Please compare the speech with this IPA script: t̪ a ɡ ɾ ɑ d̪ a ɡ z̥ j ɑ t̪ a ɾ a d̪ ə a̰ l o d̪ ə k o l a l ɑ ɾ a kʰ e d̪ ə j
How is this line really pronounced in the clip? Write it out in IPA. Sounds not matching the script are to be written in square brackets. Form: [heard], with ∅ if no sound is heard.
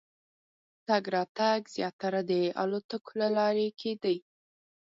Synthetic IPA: t̪ a ɡ ɾ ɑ [t̪] a ɡ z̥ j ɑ t̪ a ɾ a d̪ ə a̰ l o [t̪] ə k o l a l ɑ ɾ [e] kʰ e d̪ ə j